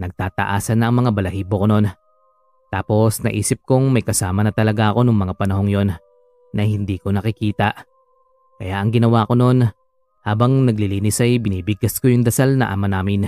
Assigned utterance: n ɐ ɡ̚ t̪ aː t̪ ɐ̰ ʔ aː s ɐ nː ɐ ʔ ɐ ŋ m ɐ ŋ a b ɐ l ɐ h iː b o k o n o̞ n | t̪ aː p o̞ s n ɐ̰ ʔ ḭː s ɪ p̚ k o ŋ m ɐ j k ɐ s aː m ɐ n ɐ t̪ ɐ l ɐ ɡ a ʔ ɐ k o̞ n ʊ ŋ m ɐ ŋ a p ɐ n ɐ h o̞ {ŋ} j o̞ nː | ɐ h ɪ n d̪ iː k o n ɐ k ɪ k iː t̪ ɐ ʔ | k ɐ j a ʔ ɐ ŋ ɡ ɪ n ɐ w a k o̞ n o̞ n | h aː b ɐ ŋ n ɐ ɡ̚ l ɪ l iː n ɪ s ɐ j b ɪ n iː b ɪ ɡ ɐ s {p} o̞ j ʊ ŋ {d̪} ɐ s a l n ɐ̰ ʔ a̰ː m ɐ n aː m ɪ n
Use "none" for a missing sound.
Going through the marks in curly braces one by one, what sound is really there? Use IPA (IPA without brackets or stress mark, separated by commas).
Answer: ŋ, k, d̪